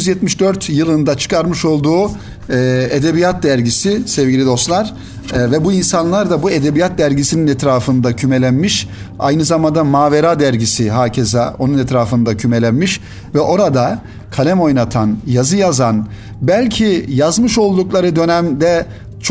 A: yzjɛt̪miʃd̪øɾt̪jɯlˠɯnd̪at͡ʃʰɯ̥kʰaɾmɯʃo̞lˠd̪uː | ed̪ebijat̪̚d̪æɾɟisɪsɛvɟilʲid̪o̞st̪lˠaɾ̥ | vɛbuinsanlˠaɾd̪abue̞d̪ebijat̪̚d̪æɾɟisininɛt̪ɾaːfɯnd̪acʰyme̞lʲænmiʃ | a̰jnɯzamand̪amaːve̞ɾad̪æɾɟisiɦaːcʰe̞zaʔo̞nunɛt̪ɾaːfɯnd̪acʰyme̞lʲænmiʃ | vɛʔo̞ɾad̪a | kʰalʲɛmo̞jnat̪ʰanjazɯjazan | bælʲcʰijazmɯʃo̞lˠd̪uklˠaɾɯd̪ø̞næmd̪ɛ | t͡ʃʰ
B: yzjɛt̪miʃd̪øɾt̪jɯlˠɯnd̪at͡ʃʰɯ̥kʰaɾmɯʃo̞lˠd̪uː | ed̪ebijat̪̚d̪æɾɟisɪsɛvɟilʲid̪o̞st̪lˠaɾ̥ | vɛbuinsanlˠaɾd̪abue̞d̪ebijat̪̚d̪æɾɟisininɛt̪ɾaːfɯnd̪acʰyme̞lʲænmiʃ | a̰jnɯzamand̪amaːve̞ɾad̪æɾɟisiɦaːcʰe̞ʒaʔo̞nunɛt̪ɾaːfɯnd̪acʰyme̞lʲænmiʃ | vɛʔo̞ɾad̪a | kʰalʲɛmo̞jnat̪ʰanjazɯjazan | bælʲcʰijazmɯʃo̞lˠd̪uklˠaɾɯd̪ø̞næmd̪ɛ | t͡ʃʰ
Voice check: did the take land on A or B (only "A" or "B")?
A